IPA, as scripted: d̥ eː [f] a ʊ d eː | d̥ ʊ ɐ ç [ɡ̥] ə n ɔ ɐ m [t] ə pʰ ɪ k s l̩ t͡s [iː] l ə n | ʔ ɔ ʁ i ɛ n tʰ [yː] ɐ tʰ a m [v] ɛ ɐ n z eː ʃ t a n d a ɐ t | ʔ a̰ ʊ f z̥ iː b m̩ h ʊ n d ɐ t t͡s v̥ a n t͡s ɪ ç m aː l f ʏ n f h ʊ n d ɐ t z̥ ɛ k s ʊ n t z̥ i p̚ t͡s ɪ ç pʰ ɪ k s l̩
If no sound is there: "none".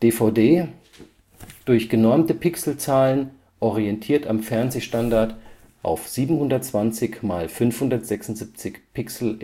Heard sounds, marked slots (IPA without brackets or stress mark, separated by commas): f, ɡ̥, t, aː, iː, f